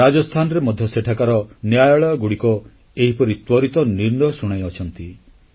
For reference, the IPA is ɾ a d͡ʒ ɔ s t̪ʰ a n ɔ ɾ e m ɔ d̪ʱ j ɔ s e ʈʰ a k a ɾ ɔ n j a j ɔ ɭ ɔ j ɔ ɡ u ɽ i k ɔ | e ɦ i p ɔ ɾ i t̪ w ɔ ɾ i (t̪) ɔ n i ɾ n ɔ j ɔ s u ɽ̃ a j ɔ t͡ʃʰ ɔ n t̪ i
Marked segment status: correct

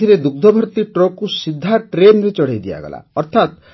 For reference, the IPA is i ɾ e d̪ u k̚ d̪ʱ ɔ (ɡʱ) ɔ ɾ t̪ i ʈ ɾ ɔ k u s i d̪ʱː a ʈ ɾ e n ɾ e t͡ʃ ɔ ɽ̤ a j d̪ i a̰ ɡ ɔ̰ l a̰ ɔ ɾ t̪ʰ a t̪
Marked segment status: incorrect: bʱ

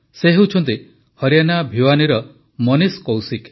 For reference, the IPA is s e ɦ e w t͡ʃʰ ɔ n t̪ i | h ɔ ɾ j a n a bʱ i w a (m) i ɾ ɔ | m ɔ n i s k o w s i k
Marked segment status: incorrect: n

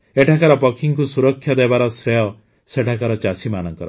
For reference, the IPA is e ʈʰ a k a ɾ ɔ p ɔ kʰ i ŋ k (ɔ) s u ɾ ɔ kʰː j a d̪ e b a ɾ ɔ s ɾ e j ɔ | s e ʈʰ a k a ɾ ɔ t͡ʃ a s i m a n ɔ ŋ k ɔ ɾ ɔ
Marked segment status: incorrect: u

